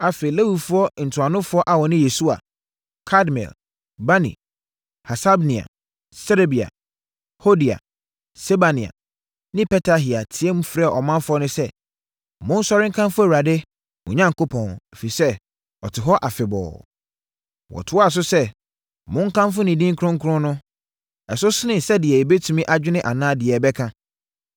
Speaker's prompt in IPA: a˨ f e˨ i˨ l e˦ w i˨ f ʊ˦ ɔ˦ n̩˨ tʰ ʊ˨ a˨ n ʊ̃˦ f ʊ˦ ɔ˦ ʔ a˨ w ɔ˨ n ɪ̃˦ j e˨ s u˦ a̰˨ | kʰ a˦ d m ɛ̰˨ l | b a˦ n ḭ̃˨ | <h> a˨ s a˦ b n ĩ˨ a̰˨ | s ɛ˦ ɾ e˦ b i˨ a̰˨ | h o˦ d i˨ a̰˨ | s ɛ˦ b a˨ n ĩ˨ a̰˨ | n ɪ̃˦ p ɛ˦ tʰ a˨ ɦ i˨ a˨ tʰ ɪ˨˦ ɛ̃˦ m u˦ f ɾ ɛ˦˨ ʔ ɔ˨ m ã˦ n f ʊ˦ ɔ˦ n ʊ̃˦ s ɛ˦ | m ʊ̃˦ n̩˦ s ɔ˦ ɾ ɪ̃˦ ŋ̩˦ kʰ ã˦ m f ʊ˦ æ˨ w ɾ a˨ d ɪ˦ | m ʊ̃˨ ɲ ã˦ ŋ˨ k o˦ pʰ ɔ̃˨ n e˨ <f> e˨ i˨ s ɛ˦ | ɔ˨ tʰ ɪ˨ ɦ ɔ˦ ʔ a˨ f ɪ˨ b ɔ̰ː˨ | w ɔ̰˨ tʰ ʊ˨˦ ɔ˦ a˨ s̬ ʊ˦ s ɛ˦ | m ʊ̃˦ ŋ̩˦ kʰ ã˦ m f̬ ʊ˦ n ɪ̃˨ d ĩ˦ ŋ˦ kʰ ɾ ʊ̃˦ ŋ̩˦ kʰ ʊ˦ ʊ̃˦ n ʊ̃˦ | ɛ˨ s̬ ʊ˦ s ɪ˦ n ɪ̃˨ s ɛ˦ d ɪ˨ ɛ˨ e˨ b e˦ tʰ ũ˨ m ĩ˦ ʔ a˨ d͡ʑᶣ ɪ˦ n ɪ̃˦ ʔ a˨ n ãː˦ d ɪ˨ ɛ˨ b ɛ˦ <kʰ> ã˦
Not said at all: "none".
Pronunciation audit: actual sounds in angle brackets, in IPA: h, f, kʰ

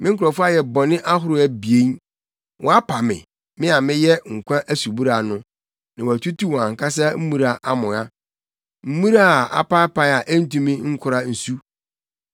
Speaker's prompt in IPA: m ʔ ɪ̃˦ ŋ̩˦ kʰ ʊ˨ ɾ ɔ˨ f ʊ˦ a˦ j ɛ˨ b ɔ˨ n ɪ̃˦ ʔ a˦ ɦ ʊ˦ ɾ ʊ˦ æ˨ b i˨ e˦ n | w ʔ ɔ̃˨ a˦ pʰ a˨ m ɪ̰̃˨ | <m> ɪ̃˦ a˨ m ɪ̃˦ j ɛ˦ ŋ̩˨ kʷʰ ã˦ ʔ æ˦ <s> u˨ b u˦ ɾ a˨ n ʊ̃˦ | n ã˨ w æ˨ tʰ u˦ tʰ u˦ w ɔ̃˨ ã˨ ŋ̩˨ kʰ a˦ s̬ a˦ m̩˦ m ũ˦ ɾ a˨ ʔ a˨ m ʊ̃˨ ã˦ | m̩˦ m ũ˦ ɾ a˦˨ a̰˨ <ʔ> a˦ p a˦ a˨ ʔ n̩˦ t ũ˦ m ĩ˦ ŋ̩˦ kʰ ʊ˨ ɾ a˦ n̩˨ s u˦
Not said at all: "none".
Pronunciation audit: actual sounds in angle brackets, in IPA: m, s, p

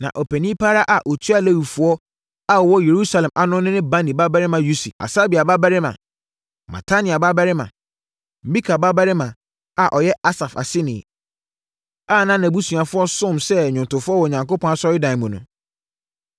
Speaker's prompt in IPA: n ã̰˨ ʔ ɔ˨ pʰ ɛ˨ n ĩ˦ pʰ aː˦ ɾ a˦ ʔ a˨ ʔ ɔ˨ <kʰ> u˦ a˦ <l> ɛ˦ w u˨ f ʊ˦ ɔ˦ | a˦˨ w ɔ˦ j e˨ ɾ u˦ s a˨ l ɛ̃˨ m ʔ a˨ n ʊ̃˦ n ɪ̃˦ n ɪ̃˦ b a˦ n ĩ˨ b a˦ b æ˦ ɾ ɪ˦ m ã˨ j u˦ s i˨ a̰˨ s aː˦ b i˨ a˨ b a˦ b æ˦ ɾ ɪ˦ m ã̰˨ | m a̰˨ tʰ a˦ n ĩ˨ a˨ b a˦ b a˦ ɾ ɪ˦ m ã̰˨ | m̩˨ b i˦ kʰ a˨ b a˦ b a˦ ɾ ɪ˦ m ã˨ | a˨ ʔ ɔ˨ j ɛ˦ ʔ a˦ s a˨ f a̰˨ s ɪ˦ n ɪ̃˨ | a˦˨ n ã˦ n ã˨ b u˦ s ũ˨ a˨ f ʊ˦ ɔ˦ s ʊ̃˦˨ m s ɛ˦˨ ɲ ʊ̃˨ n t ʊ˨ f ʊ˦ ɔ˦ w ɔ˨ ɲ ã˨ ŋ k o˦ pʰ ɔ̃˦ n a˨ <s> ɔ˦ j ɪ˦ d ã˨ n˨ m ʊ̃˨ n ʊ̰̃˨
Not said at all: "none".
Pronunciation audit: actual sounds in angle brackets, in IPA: tʰ, l, s

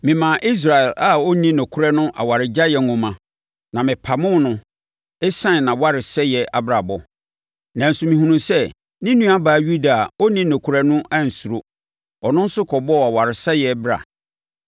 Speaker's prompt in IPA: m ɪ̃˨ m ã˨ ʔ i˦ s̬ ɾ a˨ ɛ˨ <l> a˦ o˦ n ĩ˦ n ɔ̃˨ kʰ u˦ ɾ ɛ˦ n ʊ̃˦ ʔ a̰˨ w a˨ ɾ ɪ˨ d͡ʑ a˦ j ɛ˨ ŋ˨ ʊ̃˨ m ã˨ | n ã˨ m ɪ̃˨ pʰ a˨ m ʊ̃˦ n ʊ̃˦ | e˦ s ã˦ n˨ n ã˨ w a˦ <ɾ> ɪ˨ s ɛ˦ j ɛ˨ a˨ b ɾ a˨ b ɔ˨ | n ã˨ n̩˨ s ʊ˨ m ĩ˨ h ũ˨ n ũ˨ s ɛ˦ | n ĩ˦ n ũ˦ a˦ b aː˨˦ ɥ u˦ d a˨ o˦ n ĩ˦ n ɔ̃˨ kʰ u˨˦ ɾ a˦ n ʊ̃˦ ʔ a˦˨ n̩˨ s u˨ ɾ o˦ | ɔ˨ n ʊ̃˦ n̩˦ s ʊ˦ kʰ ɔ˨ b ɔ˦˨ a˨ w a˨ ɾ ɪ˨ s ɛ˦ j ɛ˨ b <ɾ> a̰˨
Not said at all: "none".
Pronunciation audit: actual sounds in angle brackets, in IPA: l, ɾ, ɾ

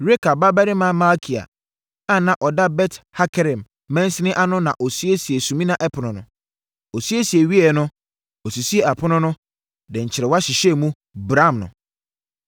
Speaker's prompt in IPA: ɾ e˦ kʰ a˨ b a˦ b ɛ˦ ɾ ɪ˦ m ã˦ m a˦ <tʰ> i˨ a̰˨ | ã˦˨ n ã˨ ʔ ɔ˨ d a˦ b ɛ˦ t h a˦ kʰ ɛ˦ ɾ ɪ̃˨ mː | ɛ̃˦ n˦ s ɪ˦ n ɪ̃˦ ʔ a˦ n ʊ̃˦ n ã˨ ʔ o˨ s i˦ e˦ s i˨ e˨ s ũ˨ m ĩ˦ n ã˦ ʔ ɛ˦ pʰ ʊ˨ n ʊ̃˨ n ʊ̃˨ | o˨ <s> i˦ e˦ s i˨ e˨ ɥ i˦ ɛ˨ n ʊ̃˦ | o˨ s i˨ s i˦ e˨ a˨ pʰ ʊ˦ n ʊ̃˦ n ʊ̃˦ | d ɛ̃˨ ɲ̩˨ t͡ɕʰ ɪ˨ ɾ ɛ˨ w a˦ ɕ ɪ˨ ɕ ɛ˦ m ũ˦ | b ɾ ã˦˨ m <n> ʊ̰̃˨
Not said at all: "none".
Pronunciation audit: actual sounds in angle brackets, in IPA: kʰ, s, n

